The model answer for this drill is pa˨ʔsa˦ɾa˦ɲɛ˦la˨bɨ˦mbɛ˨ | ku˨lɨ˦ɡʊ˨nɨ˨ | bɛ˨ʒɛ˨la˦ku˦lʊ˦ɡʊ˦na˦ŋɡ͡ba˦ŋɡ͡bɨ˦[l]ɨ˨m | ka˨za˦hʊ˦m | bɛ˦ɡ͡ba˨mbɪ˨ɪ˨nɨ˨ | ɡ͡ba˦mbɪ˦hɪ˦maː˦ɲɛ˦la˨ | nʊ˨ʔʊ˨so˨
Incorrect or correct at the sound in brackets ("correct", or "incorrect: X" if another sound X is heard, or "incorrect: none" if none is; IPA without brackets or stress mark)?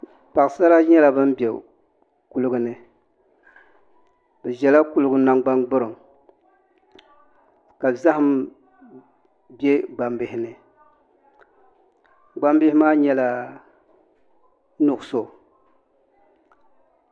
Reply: incorrect: ɾ